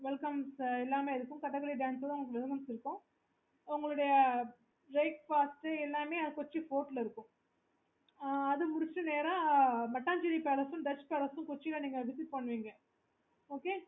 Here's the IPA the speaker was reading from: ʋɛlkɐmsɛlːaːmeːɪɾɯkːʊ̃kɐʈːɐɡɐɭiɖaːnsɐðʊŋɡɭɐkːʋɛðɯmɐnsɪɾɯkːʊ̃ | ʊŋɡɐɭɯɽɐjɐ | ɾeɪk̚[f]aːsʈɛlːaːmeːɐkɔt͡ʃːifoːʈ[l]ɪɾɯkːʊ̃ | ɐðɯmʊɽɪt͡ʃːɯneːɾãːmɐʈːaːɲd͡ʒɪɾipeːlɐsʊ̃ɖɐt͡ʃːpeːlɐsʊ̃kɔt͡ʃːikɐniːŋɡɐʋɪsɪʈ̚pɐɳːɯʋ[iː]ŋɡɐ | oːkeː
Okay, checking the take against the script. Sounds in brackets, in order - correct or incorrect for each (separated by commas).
correct, correct, correct